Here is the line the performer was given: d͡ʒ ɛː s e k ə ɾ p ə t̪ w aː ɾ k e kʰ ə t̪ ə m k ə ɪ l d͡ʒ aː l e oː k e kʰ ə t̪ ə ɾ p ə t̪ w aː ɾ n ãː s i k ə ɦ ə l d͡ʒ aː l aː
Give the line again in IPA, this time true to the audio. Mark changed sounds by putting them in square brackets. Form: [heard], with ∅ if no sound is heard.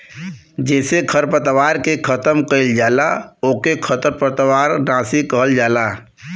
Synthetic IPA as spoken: d͡ʒ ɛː s e [kʰ] ə ɾ p ə t̪ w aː ɾ k e kʰ ə t̪ ə m k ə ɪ l d͡ʒ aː l [a] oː k e kʰ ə t̪ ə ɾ p ə t̪ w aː ɾ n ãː s i k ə ɦ ə l d͡ʒ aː l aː